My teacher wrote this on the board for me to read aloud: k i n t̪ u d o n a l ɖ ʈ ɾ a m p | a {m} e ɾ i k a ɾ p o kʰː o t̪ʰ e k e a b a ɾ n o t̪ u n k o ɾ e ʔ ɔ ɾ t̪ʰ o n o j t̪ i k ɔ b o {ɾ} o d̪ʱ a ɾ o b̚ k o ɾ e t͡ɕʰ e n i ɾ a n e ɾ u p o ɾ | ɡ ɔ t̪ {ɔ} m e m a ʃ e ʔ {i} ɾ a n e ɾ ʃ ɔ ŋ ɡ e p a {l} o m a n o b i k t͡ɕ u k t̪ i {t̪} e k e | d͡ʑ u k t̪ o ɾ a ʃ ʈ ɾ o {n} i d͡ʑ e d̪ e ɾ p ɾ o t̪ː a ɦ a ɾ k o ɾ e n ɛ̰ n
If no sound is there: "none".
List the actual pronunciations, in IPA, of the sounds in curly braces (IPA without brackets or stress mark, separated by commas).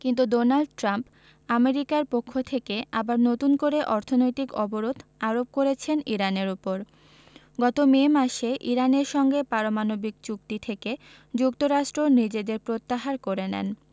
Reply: m, ɾ, o, i, ɾ, t̪ʰ, n